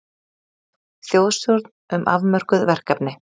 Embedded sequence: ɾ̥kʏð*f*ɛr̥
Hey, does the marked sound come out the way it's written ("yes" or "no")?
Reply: no